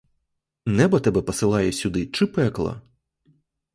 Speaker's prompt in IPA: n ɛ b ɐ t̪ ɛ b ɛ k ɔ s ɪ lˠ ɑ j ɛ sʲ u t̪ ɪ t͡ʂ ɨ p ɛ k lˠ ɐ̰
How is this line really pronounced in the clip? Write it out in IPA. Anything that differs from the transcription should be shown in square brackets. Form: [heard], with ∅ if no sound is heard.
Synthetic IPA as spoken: n ɛ b ɐ t̪ ɛ b ɛ [p] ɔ s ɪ lˠ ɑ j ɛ sʲ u [d̪] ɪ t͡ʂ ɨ p ɛ k lˠ ɐ̰